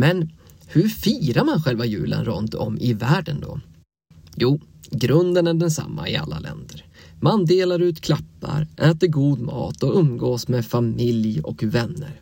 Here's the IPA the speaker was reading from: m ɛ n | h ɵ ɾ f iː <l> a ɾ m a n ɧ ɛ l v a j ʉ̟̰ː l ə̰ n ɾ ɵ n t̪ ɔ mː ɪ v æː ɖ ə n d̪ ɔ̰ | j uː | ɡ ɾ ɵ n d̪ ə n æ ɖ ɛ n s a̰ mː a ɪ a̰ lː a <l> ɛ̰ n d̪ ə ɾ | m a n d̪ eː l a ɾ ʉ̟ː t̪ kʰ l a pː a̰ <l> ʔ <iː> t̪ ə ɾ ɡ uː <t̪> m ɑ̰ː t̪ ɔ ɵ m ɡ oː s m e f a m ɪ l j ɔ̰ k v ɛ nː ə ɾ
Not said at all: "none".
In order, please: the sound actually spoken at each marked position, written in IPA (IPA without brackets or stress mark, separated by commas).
ɾ, l, ɾ, ɛː, d̪